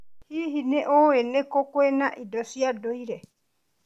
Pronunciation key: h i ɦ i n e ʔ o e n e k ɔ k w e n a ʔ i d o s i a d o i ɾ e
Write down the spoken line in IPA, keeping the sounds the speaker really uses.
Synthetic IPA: h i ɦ i n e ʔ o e n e k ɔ k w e n a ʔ i d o s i a d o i ɾ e